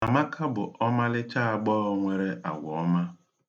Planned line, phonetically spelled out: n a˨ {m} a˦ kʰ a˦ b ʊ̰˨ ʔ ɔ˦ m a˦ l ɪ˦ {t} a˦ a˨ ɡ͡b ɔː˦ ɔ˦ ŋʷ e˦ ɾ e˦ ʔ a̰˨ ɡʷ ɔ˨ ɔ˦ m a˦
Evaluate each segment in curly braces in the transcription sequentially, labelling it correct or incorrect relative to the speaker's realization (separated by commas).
correct, incorrect